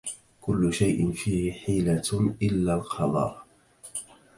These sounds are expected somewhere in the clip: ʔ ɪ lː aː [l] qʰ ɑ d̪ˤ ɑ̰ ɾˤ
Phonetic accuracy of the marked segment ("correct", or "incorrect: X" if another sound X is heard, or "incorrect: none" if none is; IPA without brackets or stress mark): correct